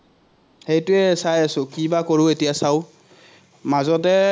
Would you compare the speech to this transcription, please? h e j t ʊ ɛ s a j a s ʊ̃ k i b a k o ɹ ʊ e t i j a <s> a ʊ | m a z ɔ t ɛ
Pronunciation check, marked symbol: correct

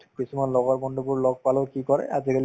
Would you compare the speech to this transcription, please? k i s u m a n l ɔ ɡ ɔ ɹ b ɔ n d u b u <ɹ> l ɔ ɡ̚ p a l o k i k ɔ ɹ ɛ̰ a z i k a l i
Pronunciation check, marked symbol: correct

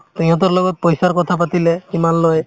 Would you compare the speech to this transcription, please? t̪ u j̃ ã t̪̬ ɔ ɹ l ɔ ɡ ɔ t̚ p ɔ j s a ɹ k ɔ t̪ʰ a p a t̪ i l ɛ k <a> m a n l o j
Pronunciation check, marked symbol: incorrect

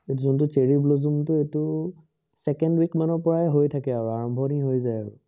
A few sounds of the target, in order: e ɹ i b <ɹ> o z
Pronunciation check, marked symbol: incorrect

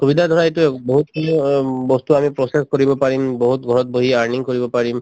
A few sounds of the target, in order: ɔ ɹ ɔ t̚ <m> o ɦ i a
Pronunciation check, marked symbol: incorrect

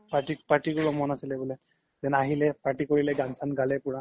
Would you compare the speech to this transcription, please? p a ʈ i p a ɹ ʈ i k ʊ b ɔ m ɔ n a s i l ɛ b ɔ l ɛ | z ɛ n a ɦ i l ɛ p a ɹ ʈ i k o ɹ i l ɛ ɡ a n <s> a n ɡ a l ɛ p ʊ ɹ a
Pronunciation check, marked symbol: correct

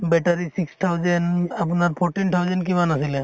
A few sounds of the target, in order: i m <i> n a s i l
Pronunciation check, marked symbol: incorrect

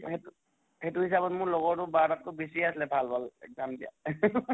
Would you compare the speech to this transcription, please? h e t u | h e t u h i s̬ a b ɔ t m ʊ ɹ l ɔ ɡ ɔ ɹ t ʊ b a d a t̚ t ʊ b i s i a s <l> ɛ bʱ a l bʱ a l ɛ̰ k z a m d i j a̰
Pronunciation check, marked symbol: correct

